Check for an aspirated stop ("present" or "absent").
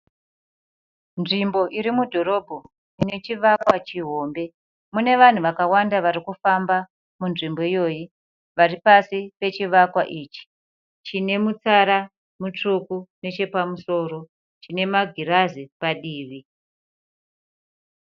absent